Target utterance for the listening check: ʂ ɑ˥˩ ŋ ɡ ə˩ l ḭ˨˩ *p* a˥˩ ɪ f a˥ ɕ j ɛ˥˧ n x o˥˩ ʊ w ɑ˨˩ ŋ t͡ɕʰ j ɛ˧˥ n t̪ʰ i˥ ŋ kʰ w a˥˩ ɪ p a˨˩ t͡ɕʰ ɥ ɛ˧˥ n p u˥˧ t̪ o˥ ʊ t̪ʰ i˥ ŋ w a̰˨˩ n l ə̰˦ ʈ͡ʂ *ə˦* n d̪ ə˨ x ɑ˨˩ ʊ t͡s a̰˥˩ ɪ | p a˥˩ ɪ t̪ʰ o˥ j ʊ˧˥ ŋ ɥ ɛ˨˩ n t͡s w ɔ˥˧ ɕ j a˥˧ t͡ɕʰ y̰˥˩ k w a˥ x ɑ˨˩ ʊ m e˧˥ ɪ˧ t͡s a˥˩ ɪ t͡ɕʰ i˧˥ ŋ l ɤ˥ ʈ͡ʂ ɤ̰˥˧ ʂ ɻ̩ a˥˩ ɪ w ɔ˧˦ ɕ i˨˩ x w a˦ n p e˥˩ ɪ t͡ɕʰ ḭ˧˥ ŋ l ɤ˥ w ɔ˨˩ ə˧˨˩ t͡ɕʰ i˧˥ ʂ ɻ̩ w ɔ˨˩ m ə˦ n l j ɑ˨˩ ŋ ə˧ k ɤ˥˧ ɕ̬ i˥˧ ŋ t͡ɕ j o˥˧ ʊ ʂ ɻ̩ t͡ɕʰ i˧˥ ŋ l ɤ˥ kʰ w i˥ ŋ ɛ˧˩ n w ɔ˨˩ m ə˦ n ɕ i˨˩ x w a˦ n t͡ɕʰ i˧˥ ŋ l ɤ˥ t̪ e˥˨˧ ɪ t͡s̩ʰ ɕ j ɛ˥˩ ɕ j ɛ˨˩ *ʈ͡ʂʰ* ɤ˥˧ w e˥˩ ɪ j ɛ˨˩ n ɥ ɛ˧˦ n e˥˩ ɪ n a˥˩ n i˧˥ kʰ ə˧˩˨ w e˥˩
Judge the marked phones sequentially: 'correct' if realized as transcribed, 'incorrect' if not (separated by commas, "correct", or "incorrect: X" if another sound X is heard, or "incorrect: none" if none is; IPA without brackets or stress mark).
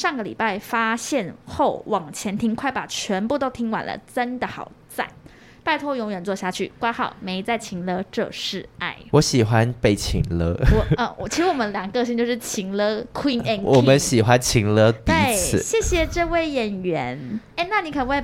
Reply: correct, correct, incorrect: ʈ͡ʂ